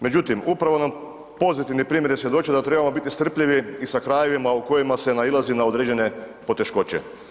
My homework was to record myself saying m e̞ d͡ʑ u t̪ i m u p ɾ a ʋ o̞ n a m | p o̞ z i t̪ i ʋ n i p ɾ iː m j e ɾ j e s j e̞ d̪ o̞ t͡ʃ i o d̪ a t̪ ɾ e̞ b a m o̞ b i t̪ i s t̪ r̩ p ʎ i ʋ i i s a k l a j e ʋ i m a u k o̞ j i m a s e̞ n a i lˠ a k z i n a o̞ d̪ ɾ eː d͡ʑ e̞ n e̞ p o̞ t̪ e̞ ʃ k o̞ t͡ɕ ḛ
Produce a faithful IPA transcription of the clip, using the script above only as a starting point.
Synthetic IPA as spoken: m e̞ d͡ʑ u t̪ i m u p ɾ a ʋ o̞ n a m | p o̞ z i t̪ i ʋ n i p ɾ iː m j e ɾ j e s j e̞ d̪ o̞ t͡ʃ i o d̪ a t̪ ɾ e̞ b a m o̞ b i t̪ i s t̪ r̩ p ʎ i ʋ i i s a k ɾ a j e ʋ i m a u k o̞ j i m a s e̞ n a i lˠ a z i n a o̞ d̪ ɾ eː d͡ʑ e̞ n e̞ p o̞ t̪ e̞ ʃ k o̞ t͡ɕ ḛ